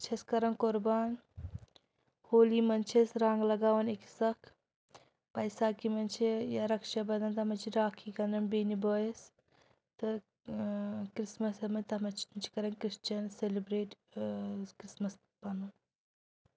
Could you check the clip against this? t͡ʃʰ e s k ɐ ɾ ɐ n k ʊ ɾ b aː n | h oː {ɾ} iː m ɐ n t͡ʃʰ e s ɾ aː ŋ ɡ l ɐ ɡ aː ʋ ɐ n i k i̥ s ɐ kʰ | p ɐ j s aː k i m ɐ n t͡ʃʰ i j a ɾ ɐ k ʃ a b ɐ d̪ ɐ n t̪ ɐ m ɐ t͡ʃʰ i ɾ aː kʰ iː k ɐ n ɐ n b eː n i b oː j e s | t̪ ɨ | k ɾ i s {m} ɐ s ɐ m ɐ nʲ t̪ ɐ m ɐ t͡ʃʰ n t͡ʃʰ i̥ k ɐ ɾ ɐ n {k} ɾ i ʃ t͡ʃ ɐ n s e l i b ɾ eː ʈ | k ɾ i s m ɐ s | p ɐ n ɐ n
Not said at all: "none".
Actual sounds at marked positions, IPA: l, m, k

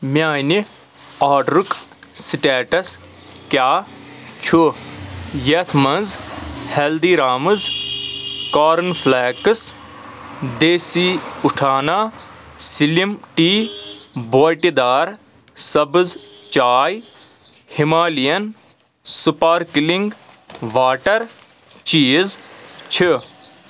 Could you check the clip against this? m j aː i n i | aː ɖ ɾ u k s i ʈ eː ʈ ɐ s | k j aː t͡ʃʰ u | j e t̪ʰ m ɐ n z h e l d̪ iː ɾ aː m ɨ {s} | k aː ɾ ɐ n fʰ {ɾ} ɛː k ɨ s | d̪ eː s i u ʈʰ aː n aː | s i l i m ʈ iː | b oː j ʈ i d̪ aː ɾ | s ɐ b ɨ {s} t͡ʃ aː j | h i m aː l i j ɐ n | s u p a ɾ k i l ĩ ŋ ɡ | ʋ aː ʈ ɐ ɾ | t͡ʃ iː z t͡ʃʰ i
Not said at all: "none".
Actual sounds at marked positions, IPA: z, l, z

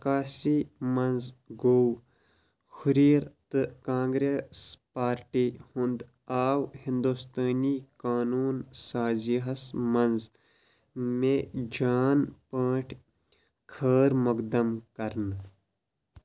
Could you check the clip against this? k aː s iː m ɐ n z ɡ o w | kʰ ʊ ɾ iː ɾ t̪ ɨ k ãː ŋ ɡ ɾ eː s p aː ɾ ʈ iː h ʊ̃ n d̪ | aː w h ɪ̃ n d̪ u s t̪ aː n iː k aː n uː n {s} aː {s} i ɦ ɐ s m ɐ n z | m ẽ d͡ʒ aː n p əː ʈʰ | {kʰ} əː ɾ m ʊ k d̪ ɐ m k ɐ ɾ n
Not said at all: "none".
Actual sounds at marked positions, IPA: s, z, kʰ

